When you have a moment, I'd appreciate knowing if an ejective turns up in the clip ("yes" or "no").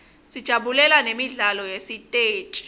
yes